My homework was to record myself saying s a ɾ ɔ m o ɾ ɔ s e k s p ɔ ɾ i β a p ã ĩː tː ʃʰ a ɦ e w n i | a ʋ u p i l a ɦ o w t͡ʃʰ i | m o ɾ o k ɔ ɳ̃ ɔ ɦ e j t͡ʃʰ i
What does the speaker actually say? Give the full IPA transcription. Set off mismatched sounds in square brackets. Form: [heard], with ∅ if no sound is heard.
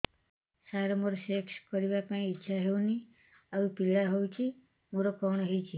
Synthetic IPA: s a ɾ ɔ m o ɾ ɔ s e k s [k] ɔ ɾ i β a p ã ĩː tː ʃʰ a ɦ e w n i | a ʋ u p i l a ɦ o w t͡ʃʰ i | m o ɾ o k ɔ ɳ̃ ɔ ɦ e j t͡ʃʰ i